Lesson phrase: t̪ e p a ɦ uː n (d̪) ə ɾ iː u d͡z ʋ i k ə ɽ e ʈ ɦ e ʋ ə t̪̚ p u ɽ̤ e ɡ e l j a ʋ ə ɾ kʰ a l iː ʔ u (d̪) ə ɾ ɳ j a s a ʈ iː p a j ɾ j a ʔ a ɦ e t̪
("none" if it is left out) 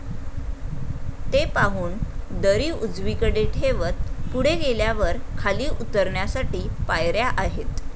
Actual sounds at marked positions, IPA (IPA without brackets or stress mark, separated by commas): d̪, t̪